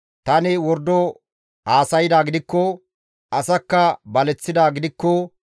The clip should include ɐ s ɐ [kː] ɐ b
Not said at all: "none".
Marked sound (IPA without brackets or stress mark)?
kː